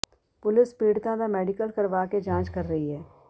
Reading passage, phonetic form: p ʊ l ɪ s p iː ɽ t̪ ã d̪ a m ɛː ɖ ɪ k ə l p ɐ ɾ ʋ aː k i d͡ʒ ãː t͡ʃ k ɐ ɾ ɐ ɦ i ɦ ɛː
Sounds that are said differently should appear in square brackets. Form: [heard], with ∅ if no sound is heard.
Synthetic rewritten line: p ʊ l ɪ s p iː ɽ t̪ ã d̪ a m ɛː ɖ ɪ k ə l [k] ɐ ɾ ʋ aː k [e] d͡ʒ ãː t͡ʃ k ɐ [ɾː] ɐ ɦ i ɦ ɛː